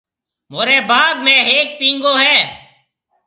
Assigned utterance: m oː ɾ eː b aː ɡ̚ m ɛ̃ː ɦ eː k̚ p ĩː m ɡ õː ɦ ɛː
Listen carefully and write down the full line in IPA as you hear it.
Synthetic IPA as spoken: m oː ɾ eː b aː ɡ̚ m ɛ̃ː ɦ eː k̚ p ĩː ŋ ɡ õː ɦ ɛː